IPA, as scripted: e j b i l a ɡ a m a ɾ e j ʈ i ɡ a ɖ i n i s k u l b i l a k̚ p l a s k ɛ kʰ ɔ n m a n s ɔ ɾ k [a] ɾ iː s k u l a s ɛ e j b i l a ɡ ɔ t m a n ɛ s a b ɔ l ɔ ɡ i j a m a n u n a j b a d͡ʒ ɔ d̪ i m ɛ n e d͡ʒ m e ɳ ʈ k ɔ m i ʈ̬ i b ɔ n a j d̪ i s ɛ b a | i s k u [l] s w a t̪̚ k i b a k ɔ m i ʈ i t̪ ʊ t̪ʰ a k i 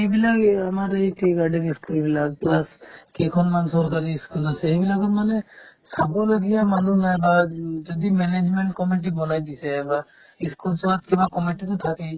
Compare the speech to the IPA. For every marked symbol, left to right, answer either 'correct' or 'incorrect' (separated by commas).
correct, correct